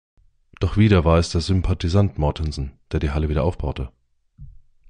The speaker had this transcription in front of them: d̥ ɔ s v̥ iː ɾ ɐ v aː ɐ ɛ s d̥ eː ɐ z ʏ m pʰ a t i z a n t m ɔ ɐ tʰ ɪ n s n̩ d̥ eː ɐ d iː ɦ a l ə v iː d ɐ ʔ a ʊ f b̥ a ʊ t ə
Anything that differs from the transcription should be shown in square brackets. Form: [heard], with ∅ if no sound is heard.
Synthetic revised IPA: d̥ ɔ [χ] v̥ iː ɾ ɐ v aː ɐ ɛ s d̥ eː ɐ z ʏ m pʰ a t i z a n t m ɔ ɐ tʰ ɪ n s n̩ d̥ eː ɐ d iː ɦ a l ə v iː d ɐ ʔ a ʊ f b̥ a ʊ t ə